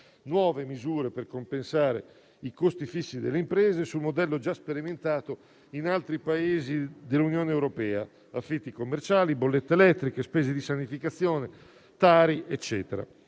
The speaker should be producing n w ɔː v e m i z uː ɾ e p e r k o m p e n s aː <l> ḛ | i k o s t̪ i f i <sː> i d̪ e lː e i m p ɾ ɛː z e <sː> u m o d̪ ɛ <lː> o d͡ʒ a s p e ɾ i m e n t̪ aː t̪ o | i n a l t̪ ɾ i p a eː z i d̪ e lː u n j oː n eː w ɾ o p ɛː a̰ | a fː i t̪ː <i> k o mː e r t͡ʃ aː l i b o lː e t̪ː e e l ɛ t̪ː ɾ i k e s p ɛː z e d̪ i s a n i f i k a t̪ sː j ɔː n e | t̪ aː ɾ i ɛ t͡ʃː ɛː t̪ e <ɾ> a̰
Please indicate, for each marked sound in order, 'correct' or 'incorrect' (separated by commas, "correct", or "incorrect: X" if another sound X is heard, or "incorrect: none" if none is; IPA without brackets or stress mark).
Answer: incorrect: ɾ, correct, incorrect: s, correct, correct, correct